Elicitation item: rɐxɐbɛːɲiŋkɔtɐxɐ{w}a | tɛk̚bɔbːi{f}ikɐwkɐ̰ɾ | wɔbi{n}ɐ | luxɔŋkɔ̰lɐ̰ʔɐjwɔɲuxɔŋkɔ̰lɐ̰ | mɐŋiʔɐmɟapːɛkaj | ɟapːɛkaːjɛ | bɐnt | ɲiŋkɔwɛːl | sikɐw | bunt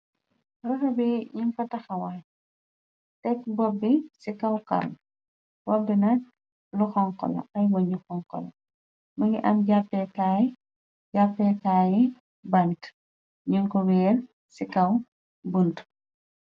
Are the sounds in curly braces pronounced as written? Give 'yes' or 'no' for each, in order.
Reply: yes, no, yes

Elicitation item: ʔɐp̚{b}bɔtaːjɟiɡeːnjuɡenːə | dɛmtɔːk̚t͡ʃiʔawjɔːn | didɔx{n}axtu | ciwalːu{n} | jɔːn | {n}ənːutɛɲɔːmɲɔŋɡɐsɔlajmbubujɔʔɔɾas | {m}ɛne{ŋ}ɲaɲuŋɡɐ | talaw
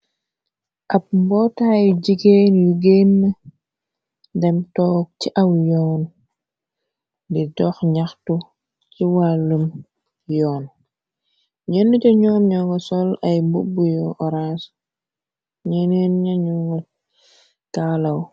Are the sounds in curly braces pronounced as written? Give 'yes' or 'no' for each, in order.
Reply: no, no, no, no, no, no

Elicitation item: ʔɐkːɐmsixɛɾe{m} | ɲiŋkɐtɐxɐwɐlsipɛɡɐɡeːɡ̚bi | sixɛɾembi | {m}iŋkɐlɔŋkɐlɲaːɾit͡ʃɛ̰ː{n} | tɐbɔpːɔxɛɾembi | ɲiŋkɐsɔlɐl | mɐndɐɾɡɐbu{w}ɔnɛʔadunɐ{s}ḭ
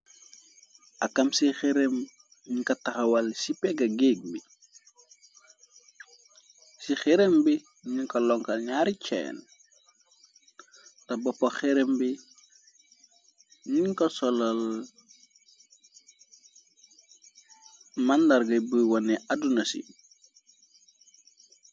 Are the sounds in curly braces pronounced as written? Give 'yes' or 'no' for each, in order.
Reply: yes, no, yes, yes, yes

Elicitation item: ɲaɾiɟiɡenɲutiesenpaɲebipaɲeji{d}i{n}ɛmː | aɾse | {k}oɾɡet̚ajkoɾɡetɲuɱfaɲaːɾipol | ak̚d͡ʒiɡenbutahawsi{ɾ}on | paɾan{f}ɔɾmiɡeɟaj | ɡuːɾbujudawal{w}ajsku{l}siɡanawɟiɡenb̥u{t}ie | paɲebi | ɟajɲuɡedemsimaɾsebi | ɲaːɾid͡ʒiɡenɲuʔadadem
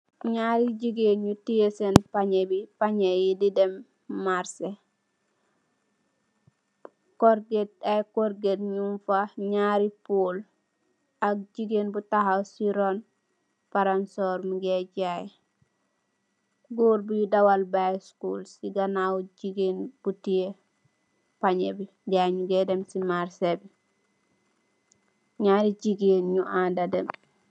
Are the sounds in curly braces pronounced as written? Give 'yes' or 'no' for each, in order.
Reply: yes, no, yes, yes, no, no, yes, yes

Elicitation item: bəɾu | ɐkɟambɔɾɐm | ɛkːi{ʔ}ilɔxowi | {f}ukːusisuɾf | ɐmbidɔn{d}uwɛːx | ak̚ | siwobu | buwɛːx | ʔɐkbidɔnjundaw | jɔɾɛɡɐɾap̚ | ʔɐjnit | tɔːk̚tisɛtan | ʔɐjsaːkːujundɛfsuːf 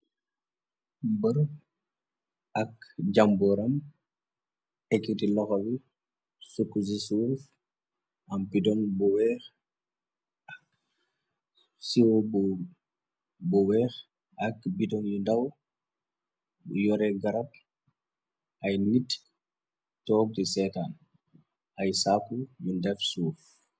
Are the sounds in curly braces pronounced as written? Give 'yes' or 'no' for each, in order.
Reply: no, no, no

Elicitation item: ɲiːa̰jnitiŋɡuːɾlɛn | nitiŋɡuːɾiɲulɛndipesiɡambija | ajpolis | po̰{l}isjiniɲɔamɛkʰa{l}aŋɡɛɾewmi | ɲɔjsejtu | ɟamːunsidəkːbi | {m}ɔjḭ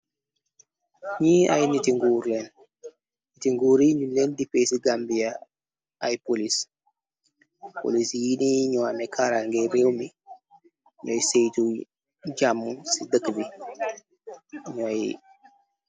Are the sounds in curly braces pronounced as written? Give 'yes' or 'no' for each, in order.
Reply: yes, no, no

